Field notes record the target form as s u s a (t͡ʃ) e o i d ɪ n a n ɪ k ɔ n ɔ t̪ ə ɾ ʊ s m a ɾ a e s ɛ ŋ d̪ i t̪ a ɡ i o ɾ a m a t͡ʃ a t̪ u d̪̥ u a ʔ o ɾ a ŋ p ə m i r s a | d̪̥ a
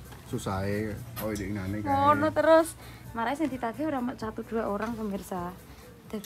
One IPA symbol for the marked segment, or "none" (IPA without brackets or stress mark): none